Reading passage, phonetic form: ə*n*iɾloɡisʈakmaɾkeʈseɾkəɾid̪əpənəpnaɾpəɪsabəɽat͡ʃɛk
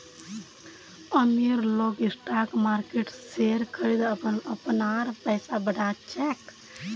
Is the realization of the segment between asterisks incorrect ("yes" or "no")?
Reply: yes